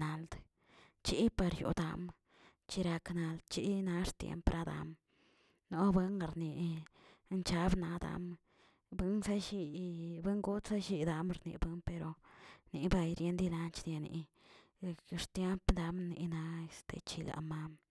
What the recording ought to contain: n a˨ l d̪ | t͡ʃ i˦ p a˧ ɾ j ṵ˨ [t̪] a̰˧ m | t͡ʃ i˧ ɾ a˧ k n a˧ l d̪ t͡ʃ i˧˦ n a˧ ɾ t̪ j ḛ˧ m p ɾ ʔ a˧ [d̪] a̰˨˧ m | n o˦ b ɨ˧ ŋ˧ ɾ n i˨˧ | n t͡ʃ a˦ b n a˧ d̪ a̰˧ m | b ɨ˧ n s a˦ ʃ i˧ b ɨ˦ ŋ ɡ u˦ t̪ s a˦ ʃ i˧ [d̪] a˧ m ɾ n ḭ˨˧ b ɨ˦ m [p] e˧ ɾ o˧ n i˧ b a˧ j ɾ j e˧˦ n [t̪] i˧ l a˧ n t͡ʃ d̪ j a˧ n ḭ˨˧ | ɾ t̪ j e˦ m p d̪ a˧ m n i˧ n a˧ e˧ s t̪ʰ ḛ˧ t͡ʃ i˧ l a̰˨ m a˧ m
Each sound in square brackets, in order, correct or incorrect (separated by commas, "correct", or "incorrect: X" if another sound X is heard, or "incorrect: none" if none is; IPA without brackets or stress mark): incorrect: d̪, correct, correct, correct, incorrect: d̪